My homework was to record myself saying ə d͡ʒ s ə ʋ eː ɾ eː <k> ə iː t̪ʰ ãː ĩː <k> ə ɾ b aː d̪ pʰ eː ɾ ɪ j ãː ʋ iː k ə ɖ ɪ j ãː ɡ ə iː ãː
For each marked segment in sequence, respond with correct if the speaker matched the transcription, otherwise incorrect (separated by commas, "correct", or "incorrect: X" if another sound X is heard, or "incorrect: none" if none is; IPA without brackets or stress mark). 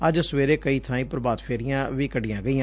correct, incorrect: p